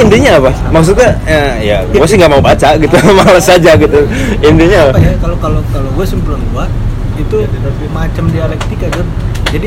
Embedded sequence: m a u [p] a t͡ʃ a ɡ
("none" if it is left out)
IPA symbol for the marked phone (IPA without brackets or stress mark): b